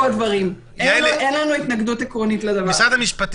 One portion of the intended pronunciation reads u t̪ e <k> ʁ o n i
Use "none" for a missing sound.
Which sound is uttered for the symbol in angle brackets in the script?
k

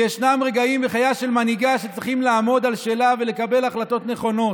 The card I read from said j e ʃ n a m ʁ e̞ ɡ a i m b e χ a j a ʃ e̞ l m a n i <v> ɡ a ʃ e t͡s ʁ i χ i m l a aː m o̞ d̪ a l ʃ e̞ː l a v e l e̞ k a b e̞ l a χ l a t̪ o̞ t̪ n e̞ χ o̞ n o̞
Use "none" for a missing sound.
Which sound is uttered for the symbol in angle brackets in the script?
none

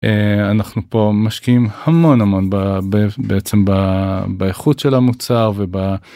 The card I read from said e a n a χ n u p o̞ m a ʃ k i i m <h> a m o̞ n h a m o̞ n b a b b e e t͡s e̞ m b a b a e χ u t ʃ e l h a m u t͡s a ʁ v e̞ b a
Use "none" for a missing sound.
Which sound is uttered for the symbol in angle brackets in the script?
h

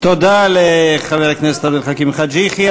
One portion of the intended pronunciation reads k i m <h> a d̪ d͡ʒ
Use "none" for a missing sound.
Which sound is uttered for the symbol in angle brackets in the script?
χ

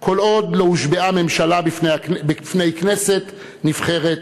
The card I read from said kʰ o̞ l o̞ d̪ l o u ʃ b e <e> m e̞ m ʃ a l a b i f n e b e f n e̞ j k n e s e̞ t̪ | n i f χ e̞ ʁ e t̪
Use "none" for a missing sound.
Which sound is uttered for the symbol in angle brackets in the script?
a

